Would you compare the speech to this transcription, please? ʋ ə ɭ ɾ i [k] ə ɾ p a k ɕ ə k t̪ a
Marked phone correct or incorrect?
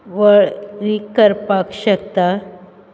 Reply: correct